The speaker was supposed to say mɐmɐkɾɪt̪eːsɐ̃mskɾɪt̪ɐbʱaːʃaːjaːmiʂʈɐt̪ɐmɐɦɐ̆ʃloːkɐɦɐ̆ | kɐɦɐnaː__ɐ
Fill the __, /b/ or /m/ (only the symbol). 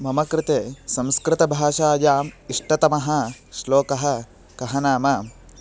m